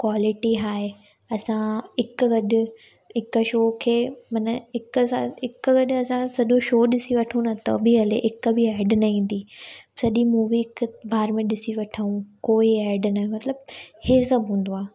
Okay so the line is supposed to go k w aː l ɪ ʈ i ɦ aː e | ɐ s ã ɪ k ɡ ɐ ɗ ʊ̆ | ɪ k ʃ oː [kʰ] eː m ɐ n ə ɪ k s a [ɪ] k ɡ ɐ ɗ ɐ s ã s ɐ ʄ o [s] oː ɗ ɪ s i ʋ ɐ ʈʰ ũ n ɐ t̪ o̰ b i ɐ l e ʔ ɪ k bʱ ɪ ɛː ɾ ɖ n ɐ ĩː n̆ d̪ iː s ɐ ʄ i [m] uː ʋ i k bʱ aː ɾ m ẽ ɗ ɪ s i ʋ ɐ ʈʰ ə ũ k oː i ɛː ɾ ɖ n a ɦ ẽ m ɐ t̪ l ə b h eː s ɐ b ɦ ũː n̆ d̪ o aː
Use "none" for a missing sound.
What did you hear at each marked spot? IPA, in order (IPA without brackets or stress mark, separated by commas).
kʰ, ɪ, ʃ, m